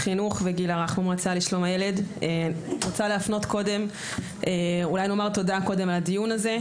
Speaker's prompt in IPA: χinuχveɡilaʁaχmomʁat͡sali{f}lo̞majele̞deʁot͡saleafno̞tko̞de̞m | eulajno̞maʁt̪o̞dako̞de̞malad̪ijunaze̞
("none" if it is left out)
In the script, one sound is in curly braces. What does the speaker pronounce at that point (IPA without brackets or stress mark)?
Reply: ʃ